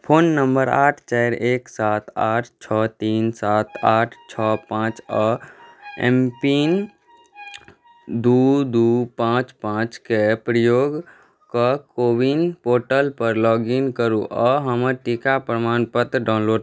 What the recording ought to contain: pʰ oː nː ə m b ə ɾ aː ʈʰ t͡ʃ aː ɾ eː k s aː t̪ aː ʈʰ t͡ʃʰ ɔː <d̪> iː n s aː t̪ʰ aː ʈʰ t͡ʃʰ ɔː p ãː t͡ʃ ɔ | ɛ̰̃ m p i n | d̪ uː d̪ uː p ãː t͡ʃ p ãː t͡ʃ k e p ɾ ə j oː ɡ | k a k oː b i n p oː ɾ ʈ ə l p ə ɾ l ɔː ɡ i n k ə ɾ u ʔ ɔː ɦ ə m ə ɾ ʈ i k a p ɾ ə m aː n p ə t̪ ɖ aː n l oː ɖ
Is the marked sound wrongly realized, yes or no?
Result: yes